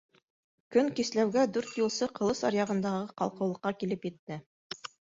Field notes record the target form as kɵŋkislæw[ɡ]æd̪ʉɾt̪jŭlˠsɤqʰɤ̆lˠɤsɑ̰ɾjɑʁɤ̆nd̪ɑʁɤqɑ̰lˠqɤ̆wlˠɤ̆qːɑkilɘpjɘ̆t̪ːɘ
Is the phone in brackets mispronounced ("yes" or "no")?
no